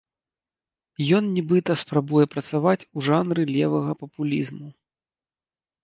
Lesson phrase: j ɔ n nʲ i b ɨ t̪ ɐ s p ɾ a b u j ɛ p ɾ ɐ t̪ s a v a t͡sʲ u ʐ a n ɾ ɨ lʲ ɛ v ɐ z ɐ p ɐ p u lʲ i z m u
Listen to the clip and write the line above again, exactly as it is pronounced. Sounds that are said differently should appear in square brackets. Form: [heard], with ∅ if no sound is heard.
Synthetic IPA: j ɔ n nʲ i b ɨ t̪ ɐ s p ɾ a b u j ɛ p ɾ ɐ t̪ s a v a t͡sʲ u ʐ a n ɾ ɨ lʲ ɛ v ɐ [ɣ] ɐ p ɐ p u lʲ i z m u